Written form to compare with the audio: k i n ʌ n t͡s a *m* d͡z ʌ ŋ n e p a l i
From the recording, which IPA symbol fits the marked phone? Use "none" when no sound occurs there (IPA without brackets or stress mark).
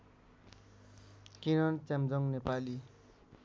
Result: m